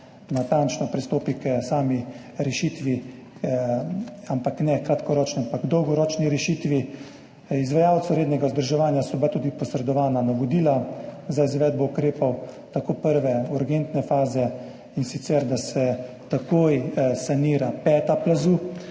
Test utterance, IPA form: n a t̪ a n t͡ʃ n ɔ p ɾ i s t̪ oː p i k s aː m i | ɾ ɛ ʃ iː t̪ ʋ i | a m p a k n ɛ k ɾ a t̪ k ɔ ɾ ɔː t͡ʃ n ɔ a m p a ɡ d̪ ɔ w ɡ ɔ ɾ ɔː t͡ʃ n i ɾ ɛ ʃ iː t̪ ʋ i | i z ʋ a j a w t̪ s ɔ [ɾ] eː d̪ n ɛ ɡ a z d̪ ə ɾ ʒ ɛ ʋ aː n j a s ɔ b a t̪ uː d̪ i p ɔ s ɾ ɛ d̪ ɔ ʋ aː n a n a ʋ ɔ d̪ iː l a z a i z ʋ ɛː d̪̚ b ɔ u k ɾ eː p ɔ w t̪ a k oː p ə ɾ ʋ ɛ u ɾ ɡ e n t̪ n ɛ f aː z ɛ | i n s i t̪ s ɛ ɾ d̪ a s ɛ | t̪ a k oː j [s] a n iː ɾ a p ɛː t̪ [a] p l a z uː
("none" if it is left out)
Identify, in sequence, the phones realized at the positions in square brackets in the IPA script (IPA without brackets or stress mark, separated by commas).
ɾ, s, a